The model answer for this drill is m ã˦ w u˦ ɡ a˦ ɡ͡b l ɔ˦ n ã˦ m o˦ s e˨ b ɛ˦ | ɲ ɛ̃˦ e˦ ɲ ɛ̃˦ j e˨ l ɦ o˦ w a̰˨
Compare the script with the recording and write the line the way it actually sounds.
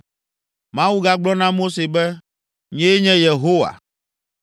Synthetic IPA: m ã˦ w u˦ ɡ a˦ ɡ͡b l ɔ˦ n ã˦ m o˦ s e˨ b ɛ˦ | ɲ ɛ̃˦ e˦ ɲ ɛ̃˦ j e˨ ɦ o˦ w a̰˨